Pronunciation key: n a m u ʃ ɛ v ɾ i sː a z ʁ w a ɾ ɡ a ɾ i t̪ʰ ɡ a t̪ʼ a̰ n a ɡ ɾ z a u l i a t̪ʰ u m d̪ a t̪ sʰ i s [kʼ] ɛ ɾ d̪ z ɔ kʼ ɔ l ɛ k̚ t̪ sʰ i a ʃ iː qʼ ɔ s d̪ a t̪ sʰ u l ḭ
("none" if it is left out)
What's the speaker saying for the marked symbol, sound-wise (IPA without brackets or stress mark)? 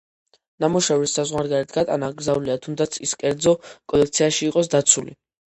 kʼ